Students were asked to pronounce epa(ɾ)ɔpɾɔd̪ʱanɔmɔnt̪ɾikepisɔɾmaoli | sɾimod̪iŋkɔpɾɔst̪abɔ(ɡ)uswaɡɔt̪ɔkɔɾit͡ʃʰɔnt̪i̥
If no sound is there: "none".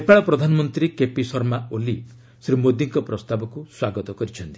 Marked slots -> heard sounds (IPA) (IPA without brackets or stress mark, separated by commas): ɭ, k